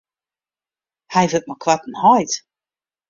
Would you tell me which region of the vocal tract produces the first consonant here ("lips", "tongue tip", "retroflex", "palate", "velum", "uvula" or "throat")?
throat